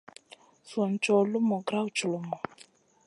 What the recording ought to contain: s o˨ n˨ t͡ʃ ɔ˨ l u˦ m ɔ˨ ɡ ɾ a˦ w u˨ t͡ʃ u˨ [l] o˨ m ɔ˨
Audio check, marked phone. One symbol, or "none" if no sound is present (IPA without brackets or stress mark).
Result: l